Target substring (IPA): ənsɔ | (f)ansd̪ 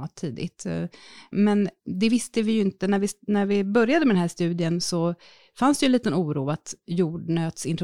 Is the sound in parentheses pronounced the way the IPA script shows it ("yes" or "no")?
yes